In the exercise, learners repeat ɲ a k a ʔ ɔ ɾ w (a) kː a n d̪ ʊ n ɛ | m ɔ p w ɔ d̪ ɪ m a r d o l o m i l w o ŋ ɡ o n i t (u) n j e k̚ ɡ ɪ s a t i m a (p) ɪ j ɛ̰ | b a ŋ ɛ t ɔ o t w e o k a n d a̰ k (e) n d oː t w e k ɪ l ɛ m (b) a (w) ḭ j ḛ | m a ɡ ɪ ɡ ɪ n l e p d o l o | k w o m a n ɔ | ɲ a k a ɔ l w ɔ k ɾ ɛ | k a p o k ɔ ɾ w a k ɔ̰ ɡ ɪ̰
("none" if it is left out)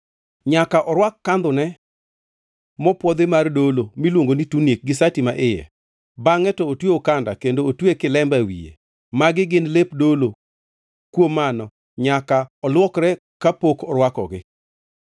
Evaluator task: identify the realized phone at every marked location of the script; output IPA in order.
a, u, ʔ, e, b, w

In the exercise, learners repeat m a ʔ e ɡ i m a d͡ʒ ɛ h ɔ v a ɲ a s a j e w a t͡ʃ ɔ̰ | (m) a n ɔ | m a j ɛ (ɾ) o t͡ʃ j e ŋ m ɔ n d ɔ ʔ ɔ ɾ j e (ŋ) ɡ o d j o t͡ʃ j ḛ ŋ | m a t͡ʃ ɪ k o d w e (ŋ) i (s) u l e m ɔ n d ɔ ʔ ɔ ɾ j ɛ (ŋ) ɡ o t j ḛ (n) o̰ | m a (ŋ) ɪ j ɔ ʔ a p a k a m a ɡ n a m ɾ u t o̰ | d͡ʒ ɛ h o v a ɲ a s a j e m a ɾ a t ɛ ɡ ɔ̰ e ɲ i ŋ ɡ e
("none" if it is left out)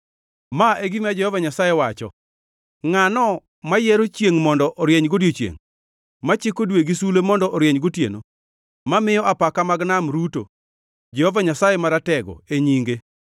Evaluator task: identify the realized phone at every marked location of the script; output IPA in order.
ŋ, ɾ, ɲ, ɡ, s, ɲ, n, m

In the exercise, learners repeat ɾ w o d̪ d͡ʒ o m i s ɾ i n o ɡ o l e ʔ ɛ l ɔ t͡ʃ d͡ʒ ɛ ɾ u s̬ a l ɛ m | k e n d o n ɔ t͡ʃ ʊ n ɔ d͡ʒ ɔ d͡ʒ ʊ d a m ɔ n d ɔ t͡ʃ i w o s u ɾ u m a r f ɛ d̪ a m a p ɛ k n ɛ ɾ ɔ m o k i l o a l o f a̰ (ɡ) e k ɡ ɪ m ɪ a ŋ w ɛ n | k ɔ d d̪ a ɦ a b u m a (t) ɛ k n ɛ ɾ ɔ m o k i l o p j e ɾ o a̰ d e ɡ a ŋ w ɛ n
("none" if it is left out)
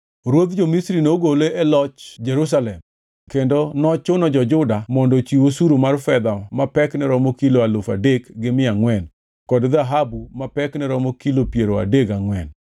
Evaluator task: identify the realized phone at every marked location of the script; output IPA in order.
d, p

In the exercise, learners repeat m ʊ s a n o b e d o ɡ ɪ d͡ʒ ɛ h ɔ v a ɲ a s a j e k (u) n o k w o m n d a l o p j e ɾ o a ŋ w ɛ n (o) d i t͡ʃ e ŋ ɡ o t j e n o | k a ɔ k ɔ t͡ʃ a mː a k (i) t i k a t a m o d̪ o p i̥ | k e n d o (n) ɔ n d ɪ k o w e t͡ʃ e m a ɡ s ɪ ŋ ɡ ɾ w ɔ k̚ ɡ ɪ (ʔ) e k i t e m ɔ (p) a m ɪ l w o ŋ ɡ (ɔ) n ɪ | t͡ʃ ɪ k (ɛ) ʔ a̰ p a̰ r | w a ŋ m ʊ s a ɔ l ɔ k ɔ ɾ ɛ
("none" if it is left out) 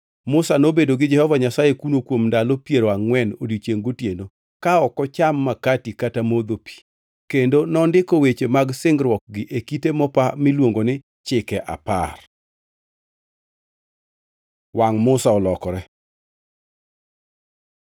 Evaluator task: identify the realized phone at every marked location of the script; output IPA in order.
u, o, a, n, ʔ, p, o, ɛ

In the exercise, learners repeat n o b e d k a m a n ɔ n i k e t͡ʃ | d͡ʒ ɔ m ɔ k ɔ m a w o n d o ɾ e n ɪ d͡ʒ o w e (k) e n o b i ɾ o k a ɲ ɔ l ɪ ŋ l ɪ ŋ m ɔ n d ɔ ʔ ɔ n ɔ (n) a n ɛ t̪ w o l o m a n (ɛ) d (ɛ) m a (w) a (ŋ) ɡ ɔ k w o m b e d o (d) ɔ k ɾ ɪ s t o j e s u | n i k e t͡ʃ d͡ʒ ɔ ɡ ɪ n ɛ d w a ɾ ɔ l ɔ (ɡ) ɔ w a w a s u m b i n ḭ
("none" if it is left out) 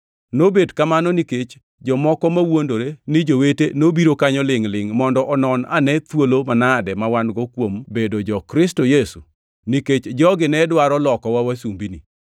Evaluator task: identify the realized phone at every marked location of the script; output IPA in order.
t, n, a, ɛ, w, n, d͡ʒ, k

